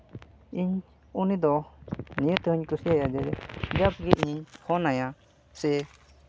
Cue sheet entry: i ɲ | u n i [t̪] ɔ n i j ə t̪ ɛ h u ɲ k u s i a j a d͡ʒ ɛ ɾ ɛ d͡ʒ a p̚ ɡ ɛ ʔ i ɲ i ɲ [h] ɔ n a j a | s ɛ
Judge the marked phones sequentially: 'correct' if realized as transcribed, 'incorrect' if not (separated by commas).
incorrect, correct